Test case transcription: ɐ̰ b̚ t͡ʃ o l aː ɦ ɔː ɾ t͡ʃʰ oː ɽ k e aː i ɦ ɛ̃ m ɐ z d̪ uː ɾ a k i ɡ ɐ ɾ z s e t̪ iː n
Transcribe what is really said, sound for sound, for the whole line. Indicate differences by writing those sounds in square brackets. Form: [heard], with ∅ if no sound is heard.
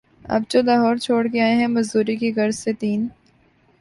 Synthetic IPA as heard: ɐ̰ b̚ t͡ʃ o l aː ɦ ɔː ɾ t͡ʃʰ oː ɽ k e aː [e] ɦ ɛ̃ m ɐ z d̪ uː ɾ [i] k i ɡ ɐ ɾ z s e t̪ iː n